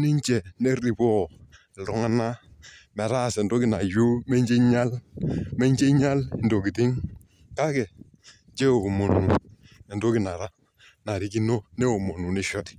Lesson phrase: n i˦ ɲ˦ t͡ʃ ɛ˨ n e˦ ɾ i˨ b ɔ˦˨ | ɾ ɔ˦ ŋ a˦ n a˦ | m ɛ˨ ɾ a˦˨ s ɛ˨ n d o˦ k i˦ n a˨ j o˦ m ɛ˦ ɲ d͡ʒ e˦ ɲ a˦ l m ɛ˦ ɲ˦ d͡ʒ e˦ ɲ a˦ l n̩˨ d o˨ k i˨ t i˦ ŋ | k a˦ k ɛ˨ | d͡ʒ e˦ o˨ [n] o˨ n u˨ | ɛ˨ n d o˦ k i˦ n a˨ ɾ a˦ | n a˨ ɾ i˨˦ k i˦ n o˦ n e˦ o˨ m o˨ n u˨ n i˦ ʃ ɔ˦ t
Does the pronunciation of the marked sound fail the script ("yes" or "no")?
yes